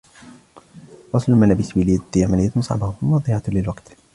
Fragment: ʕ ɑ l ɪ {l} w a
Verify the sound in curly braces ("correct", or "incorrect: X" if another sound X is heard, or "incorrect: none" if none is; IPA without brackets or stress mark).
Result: correct